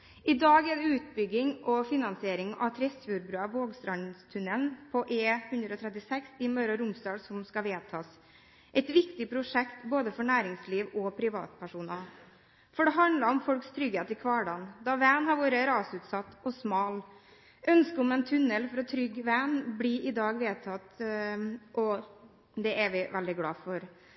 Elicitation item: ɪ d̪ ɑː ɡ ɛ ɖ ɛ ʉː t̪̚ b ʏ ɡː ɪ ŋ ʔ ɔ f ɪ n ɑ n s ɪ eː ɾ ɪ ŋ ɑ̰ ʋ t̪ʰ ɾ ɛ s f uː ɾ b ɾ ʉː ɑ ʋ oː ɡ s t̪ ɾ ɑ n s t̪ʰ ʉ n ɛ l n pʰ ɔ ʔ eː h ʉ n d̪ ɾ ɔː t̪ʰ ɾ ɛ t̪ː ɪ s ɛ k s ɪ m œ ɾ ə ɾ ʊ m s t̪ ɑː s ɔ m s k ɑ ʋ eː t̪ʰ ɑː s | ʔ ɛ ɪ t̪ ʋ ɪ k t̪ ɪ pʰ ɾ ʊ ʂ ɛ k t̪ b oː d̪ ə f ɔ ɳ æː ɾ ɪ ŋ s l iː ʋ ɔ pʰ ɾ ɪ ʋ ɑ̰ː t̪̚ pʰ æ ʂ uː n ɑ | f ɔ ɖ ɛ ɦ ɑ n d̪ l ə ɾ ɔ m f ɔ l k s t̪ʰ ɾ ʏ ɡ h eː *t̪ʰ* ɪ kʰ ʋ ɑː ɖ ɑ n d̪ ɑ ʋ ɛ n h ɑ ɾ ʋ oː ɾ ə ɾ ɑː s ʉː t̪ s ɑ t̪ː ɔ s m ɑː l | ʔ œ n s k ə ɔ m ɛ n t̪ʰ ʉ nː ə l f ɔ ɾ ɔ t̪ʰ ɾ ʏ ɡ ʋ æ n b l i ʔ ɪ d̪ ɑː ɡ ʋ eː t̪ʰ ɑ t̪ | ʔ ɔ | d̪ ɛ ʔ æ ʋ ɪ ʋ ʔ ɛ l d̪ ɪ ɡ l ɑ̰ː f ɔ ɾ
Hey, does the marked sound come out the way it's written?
no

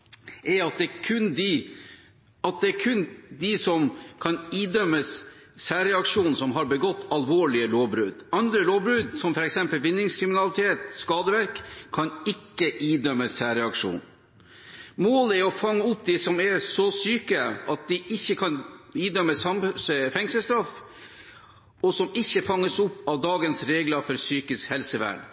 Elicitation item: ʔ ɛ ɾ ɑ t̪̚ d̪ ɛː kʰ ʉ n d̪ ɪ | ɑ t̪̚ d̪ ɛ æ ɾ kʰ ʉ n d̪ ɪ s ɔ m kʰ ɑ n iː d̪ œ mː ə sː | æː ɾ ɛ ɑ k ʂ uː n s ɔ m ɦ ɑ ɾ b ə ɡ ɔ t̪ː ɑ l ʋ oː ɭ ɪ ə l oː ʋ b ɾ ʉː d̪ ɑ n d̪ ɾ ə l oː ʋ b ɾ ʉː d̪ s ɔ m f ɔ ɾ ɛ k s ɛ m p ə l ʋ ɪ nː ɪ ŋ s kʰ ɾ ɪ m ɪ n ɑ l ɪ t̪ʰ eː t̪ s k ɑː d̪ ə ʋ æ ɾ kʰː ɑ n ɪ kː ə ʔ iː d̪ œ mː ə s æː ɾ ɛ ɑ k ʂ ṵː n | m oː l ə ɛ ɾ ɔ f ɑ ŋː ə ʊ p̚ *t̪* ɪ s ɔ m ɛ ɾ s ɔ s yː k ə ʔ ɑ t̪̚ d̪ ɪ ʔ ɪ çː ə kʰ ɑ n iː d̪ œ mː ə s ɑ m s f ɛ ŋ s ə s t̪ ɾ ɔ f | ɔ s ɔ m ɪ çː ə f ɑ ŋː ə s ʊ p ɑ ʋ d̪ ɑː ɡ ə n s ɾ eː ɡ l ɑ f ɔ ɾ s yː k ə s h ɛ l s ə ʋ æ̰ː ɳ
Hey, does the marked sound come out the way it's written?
no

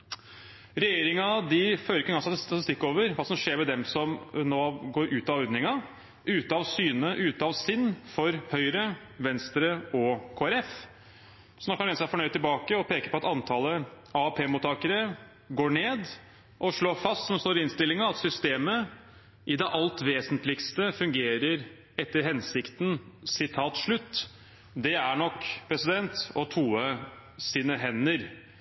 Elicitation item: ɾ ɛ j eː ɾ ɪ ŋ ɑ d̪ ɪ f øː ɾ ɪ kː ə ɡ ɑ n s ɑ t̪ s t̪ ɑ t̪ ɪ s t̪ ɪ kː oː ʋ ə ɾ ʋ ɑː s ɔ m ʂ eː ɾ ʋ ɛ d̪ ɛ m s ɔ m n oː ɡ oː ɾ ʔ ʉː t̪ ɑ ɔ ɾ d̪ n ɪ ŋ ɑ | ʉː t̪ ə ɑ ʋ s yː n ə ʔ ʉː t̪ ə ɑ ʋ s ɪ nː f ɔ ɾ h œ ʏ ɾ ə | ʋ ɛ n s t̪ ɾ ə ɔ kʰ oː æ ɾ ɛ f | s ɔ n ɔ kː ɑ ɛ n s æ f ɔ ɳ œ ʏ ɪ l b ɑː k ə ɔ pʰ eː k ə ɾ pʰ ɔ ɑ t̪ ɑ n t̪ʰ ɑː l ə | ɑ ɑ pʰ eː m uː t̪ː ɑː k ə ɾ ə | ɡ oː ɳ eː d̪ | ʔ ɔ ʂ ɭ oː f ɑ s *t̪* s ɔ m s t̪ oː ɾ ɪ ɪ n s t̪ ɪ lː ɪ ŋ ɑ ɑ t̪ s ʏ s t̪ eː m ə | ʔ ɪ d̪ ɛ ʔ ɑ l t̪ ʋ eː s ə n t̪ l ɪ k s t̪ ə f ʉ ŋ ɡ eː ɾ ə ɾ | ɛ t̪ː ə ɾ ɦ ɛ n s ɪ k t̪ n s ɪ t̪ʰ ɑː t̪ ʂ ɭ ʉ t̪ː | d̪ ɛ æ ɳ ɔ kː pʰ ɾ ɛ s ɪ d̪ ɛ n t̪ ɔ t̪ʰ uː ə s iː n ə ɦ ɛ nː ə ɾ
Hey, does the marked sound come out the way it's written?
yes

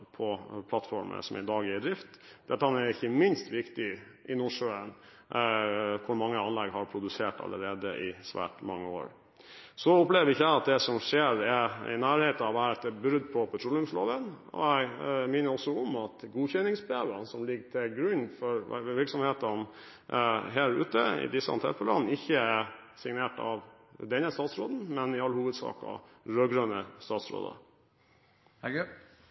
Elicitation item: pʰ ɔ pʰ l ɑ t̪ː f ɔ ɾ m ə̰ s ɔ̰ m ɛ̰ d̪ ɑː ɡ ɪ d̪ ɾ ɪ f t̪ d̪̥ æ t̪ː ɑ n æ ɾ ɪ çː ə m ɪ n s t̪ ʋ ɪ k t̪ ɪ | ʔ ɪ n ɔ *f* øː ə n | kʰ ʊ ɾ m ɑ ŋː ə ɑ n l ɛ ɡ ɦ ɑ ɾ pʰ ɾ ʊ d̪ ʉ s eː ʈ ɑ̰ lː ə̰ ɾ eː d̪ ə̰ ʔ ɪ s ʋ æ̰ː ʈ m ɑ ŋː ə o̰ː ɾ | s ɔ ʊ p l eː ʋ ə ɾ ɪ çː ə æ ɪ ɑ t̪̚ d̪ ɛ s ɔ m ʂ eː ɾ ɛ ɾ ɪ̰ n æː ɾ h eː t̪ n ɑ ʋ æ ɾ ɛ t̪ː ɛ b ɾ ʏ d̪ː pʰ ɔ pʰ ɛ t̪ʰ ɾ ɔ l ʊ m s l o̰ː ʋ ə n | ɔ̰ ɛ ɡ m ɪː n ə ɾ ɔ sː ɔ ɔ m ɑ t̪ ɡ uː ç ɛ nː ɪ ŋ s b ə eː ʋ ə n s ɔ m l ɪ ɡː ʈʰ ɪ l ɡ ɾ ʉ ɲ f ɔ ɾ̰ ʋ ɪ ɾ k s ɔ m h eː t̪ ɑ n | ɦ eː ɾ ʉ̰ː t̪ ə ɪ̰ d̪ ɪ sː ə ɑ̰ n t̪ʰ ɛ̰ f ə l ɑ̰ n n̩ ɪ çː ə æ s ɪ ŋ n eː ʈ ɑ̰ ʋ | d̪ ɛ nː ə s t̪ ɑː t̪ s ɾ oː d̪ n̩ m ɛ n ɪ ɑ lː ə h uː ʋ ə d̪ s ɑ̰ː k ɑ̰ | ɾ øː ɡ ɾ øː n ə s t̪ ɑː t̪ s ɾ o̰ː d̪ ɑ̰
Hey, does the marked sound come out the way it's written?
no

